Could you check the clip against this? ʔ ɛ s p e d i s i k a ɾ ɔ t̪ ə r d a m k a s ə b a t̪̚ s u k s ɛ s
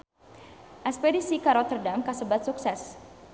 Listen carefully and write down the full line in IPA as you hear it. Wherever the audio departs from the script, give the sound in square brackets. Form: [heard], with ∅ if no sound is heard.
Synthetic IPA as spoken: ʔ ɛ s p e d i s i k a ɾ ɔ t̪ ə r d a m k a s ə b a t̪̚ s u k s ɛ s